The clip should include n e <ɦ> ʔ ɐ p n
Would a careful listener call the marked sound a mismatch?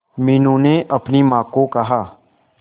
yes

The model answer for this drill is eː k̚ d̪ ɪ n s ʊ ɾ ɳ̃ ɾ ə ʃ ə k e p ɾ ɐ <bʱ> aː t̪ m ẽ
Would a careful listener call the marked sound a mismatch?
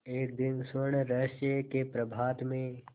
no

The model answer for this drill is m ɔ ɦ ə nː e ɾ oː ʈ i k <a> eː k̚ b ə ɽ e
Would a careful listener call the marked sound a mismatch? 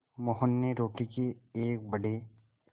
yes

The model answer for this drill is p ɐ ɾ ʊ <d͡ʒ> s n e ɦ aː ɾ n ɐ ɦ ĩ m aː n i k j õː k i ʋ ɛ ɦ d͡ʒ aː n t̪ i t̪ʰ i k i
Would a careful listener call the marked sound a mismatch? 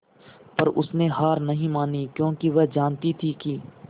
yes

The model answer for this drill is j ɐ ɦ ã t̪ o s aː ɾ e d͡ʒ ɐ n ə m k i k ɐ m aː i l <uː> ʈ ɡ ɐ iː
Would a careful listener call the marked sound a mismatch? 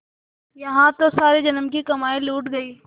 no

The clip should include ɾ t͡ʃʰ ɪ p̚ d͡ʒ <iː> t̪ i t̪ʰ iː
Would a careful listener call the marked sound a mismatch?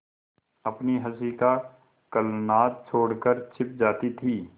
yes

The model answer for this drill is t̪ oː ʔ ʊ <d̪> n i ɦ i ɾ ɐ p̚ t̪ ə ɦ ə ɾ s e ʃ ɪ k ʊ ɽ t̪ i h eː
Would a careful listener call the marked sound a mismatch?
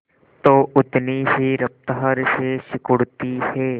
yes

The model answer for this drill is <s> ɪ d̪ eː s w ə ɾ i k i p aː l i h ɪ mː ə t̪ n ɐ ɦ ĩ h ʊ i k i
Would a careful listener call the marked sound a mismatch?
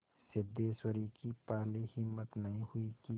no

